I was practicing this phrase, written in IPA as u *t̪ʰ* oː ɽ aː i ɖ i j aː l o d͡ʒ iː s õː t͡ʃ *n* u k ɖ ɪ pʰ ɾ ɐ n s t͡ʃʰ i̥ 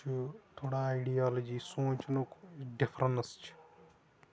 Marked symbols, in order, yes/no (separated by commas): yes, yes